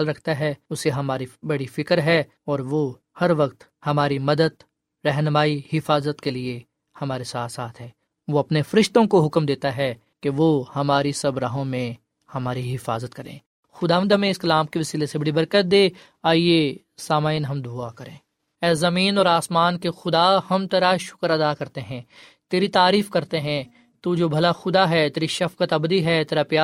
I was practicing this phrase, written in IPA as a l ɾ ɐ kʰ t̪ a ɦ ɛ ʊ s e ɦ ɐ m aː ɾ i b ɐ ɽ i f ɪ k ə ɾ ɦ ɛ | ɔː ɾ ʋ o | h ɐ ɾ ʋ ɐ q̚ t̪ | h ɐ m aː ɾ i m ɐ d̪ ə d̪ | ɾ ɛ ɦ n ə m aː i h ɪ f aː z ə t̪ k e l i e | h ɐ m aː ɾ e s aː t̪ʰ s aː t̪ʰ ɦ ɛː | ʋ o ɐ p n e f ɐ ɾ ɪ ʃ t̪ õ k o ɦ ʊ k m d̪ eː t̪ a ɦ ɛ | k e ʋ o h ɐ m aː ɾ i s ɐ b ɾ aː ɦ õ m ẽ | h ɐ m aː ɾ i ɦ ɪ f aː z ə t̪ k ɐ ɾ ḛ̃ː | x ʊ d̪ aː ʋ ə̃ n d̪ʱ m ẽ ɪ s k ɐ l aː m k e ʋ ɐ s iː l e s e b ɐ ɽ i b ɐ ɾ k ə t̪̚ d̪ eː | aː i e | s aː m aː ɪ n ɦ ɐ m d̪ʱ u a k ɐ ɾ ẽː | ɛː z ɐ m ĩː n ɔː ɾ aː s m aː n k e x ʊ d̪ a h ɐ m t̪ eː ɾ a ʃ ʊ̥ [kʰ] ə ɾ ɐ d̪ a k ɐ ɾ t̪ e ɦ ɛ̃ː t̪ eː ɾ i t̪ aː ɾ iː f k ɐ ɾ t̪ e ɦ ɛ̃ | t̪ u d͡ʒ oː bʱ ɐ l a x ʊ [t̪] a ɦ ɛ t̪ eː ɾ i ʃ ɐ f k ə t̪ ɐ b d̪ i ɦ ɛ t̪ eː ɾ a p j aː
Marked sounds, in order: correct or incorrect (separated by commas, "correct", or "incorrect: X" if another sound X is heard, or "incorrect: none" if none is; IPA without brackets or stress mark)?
incorrect: k, incorrect: d̪